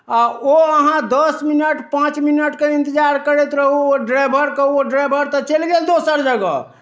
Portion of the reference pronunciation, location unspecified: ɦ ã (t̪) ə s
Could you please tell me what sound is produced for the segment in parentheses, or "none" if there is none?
d̪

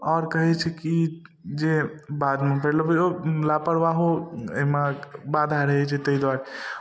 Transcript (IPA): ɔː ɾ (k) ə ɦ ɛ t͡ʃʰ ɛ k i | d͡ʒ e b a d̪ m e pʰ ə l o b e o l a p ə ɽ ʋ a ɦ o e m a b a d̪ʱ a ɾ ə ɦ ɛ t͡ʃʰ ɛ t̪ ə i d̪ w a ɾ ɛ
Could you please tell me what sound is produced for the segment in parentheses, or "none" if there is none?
k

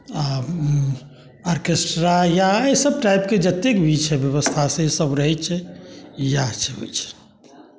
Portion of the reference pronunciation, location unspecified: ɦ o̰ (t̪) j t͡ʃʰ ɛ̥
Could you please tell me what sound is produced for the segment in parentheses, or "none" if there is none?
none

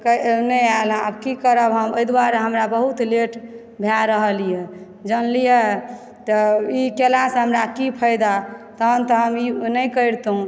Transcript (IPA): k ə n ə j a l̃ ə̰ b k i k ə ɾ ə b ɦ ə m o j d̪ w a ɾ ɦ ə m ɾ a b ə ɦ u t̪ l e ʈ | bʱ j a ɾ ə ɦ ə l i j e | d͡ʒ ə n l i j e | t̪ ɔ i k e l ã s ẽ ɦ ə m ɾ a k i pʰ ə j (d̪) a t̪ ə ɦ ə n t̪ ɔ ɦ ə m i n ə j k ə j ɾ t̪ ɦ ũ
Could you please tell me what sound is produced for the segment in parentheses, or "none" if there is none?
d̪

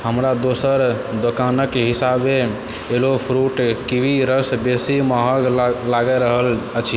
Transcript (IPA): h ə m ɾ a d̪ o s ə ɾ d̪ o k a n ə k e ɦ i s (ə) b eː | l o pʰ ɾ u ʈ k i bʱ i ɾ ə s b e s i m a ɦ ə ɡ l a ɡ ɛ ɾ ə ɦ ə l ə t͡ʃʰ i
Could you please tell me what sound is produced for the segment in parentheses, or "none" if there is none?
a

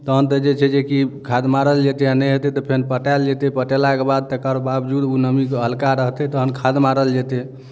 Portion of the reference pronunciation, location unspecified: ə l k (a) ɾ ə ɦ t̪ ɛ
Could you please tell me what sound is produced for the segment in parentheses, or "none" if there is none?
a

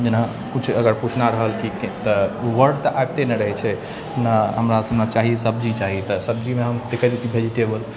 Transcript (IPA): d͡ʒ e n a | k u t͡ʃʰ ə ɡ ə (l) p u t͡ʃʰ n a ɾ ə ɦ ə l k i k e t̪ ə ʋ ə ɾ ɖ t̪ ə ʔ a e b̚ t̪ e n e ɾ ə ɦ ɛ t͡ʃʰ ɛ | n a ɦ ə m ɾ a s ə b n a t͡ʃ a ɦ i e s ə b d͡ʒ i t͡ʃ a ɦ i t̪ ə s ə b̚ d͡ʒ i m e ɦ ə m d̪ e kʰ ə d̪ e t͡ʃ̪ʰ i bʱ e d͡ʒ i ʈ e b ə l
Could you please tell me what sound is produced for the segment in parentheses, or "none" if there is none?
ɾ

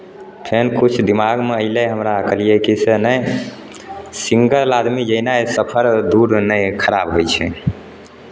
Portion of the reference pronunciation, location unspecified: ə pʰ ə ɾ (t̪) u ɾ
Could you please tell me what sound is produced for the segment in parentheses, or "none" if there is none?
d̪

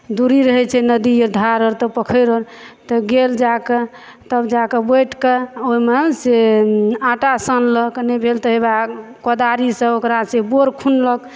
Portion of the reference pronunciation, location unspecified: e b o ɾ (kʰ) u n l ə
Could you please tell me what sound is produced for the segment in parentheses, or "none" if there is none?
kʰ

